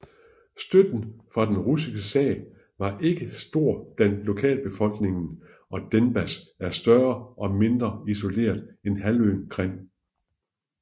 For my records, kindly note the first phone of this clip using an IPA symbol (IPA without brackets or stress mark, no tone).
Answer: s